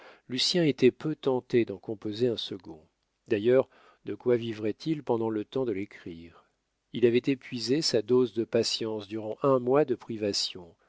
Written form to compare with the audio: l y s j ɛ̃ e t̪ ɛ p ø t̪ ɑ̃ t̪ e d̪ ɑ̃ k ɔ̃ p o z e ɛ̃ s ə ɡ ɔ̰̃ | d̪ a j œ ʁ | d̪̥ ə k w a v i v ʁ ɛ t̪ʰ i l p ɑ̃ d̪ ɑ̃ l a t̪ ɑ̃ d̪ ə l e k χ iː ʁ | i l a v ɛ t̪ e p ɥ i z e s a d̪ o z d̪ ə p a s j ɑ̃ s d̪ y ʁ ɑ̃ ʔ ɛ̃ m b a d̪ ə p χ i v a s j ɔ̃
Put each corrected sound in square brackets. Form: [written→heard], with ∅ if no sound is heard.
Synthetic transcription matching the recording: l y s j ɛ̃ e t̪ ɛ p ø t̪ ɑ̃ t̪ e d̪ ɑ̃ k ɔ̃ p o z e ɛ̃ s ə ɡ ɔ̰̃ | d̪ a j œ ʁ | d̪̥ ə k w a v i v ʁ ɛ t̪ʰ i l p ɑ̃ d̪ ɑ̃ l [a→ə] t̪ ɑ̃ d̪ ə l e k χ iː ʁ | i l a v ɛ t̪ e p ɥ i z e s a d̪ o z d̪ ə p a s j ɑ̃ s d̪ y ʁ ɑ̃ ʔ ɛ̃ m [b→w] a d̪ ə p χ i v a s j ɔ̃